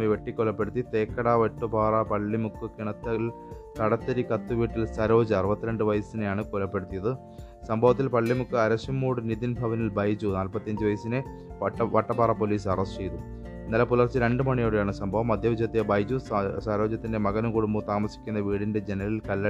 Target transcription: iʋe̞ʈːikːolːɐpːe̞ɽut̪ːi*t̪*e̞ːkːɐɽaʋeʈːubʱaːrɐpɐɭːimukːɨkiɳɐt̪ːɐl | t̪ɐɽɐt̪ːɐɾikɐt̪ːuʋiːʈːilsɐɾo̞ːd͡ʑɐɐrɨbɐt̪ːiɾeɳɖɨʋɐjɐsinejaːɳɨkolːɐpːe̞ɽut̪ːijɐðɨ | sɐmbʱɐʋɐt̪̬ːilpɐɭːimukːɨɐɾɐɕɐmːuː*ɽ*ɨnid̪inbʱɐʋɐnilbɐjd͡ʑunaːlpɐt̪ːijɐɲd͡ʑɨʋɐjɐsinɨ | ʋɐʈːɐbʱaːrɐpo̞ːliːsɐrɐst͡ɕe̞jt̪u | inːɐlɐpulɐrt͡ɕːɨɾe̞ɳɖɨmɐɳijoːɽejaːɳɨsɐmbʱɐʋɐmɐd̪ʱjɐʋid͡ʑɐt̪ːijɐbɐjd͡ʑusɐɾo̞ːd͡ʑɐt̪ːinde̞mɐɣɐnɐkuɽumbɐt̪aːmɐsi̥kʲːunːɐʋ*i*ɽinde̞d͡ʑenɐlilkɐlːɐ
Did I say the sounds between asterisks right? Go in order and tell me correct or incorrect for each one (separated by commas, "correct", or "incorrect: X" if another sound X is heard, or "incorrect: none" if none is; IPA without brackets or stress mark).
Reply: correct, correct, incorrect: iː